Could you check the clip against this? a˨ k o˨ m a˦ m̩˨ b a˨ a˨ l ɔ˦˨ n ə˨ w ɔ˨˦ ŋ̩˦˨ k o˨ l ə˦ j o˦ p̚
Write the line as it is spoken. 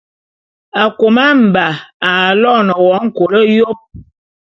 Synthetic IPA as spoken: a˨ k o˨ m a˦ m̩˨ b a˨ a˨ l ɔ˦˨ n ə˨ w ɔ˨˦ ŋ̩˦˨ k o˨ l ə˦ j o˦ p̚